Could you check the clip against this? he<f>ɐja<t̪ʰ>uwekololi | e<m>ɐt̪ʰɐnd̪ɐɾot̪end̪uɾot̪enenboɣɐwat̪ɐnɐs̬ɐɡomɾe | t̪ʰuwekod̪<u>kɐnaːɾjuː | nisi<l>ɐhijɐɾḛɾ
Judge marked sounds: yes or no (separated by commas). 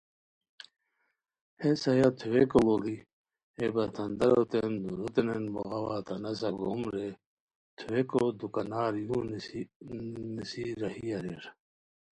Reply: no, yes, no, yes, no